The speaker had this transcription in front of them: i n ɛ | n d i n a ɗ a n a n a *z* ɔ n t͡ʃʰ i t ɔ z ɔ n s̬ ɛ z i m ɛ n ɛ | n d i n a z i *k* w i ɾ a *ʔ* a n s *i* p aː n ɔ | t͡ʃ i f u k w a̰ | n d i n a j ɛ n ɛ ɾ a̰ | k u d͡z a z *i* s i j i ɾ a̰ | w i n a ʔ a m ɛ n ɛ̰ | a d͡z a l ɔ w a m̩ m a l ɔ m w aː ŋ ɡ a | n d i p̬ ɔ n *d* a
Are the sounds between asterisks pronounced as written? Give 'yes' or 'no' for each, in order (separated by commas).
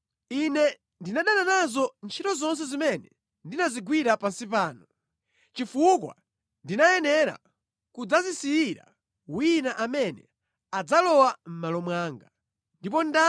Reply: yes, no, no, yes, yes, yes